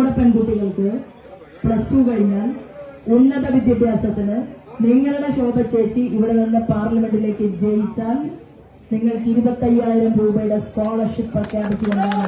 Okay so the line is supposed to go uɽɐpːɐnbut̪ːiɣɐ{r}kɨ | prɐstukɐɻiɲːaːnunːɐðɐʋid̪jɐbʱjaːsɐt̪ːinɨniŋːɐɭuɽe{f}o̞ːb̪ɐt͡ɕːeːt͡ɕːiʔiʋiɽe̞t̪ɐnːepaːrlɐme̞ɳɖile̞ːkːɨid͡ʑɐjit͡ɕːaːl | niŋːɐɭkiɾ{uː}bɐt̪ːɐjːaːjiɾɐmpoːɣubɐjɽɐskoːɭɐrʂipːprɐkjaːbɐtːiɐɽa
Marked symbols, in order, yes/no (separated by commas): no, no, no